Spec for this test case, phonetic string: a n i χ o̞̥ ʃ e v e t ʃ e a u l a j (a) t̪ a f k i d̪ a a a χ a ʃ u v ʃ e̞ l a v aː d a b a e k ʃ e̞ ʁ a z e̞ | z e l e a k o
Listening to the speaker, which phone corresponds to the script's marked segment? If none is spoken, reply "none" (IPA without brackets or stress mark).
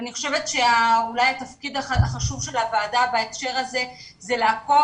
a